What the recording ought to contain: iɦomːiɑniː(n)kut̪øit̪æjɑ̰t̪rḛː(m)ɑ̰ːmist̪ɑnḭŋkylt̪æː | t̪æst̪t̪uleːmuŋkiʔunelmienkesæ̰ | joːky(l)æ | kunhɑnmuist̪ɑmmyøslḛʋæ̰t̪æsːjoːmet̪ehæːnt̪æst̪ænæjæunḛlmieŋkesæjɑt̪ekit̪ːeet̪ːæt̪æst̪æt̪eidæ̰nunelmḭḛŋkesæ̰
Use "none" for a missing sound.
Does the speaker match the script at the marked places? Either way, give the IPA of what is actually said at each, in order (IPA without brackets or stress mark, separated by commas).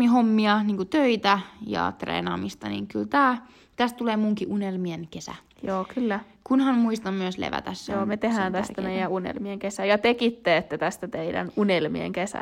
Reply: ŋ, n, lː